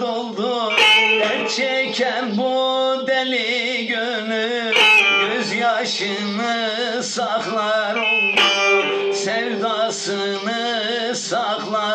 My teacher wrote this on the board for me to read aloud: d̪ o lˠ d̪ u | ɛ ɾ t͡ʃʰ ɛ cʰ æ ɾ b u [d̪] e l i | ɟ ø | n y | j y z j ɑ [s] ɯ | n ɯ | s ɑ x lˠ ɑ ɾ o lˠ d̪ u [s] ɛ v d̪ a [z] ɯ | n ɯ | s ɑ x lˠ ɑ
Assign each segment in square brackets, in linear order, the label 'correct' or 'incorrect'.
correct, incorrect: ʃ, correct, incorrect: s

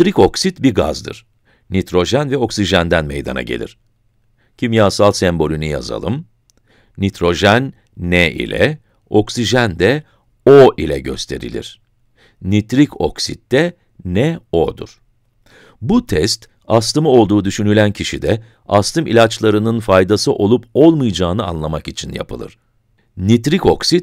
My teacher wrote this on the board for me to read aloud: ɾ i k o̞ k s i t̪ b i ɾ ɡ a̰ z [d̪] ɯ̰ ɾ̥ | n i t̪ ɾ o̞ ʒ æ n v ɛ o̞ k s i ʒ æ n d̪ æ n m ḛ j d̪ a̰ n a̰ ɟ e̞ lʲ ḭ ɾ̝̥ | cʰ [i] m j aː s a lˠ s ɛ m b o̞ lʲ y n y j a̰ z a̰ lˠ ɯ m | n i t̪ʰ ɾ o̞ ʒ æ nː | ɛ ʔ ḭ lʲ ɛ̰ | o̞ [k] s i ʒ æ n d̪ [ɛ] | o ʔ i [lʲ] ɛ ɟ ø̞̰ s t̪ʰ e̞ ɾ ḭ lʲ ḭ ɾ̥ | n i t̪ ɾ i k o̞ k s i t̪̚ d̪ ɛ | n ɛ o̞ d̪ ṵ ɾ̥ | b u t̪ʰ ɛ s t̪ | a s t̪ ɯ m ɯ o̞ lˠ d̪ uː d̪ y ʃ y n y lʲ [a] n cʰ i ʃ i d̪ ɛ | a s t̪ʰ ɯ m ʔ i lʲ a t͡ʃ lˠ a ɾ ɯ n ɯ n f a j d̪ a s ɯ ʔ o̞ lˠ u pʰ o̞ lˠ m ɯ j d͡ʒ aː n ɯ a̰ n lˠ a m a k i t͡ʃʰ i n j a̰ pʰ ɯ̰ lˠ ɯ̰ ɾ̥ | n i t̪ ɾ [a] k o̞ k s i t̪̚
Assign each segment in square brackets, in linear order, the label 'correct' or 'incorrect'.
correct, correct, correct, correct, correct, incorrect: æ, incorrect: i

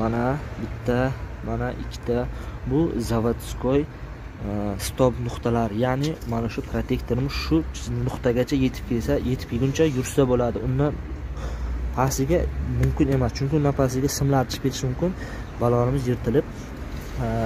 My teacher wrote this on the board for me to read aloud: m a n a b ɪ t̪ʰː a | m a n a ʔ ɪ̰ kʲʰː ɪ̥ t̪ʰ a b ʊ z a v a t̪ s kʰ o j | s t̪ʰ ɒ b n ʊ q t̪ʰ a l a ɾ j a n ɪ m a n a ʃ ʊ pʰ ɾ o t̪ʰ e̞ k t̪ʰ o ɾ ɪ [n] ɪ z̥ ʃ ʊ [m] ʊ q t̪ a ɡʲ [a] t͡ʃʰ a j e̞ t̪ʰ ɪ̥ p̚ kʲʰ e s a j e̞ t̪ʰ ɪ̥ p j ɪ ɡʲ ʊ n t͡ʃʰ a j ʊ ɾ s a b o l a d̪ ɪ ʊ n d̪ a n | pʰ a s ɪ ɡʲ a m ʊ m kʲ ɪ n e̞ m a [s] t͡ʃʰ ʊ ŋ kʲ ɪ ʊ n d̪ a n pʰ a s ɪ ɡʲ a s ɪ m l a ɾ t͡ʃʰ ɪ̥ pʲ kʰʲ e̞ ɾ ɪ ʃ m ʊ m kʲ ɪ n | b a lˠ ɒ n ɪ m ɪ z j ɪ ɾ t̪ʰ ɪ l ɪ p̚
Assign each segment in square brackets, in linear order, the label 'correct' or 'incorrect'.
incorrect: m, incorrect: n, correct, correct

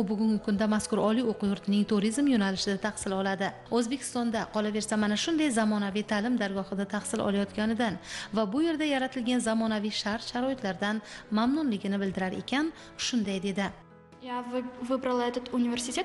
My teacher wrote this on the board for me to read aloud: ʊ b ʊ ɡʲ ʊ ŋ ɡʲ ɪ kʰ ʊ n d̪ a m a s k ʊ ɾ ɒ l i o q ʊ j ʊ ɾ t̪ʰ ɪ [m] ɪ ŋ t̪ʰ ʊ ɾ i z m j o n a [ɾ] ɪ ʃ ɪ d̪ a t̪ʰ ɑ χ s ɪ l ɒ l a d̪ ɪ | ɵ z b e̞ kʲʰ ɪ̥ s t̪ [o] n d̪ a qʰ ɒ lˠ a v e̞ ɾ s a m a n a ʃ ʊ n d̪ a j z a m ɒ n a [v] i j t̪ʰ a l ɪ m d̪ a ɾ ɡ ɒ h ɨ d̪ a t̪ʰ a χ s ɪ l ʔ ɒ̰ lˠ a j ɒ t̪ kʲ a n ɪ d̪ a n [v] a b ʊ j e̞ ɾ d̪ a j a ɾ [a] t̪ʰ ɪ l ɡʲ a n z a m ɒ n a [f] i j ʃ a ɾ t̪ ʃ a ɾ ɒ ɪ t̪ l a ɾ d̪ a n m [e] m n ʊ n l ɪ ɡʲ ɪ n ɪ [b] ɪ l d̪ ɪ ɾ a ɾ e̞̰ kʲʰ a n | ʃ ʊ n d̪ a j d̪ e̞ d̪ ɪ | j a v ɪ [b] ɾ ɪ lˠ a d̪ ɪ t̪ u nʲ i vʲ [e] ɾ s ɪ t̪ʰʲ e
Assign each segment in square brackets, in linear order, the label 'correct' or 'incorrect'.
incorrect: n, incorrect: l, incorrect: ɒ, correct, correct, correct, incorrect: v, incorrect: a, correct, correct, correct

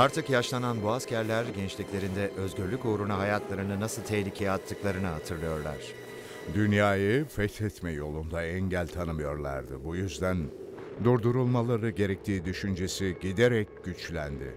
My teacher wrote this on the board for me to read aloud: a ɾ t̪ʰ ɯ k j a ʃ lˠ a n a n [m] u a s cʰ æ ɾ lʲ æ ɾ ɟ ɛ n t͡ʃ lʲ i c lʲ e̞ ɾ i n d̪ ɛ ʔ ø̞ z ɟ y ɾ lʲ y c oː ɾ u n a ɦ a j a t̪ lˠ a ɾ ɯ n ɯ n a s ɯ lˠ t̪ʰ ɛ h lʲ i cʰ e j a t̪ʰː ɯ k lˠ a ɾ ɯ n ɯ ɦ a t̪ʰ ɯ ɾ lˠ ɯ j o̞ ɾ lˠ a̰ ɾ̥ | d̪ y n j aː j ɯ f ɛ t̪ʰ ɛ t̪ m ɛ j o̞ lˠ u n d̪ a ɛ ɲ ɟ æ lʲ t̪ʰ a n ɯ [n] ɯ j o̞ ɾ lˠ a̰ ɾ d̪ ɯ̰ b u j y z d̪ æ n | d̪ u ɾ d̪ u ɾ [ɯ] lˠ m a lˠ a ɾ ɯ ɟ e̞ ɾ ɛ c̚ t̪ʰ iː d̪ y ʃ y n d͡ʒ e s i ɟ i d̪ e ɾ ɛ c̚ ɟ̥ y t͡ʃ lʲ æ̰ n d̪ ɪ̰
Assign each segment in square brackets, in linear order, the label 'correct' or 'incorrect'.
incorrect: b, incorrect: m, incorrect: u

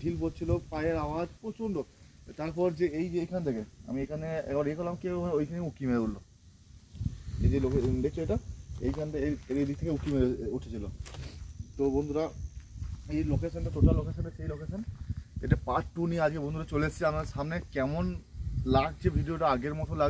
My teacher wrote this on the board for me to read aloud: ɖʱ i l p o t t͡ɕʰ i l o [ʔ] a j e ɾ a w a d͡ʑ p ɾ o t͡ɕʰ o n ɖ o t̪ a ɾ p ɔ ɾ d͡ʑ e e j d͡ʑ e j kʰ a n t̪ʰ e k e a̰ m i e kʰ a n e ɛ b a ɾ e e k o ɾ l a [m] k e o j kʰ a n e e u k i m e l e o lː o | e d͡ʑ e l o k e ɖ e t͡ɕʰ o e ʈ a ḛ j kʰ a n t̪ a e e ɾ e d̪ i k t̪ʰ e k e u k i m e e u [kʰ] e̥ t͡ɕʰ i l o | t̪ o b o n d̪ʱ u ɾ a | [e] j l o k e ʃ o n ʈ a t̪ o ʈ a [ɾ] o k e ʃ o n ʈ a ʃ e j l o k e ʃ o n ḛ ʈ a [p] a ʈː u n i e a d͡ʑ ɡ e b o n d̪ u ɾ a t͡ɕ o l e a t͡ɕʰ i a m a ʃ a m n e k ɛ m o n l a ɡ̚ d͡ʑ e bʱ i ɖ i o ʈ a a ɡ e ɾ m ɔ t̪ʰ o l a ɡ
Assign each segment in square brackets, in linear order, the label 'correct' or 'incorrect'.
incorrect: p, correct, incorrect: ʈʰ, correct, incorrect: l, correct

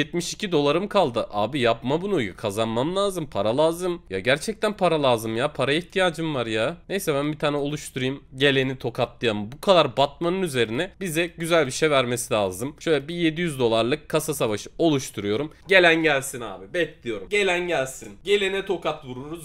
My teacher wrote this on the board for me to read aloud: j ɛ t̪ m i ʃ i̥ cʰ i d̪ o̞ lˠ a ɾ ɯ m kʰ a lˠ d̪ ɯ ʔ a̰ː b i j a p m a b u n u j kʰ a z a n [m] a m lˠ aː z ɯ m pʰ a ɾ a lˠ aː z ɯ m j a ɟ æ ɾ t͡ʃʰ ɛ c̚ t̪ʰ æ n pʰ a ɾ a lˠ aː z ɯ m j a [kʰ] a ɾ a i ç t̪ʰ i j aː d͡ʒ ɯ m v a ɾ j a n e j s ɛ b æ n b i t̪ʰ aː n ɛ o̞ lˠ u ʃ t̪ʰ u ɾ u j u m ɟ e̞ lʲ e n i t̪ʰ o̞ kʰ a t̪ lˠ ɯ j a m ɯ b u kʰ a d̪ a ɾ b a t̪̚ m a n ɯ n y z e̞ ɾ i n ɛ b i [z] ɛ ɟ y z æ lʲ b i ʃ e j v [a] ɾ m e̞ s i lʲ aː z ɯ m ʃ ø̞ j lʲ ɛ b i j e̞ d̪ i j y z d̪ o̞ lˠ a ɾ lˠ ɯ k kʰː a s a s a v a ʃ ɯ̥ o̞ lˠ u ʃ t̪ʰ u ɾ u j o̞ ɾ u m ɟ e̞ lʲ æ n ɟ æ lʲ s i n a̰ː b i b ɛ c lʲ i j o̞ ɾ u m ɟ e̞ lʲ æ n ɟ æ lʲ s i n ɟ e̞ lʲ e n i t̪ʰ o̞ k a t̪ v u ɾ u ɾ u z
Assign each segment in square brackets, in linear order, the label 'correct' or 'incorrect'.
correct, incorrect: pʰ, correct, incorrect: æ

